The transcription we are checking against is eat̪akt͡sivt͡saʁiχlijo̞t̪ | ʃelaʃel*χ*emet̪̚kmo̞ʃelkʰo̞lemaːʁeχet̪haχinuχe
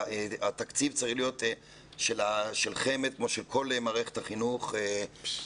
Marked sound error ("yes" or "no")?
no